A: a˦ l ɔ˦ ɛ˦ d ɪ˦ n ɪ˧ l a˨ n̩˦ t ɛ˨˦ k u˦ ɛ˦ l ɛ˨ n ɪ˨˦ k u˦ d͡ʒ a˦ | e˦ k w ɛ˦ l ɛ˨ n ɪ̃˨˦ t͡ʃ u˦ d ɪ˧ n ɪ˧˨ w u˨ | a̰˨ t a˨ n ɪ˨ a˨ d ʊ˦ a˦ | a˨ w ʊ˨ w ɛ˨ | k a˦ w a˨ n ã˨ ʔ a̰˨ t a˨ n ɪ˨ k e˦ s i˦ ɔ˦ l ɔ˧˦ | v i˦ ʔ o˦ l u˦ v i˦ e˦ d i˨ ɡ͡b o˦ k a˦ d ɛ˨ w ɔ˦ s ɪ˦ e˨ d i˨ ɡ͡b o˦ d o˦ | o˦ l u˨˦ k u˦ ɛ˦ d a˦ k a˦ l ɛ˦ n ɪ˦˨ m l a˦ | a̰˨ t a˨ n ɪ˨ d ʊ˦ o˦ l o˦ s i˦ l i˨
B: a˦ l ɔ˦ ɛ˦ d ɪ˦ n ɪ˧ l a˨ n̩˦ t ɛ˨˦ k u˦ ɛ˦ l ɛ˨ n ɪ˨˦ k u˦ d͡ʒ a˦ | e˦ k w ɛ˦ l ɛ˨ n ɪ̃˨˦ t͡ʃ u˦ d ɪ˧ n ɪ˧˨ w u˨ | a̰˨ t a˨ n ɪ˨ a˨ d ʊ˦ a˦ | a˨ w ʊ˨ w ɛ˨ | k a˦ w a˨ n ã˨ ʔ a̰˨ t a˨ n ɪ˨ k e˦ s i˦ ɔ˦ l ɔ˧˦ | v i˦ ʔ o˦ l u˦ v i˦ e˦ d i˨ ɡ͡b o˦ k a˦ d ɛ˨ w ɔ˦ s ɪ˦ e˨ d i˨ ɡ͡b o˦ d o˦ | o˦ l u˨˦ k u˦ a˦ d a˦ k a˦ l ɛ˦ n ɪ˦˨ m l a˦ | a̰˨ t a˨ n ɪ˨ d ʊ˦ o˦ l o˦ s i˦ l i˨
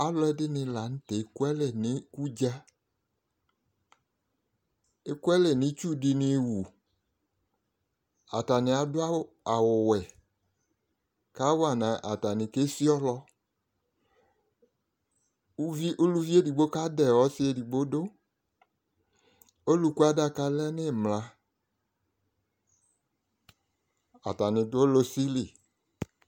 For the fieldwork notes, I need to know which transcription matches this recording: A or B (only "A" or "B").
B